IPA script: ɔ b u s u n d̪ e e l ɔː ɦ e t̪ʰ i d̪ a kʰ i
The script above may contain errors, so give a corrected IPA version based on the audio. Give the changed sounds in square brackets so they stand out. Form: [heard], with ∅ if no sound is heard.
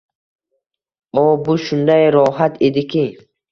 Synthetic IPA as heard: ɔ b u [ʃ] u n d̪ [a] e [ɾ] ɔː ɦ [a] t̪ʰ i d̪ [i] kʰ i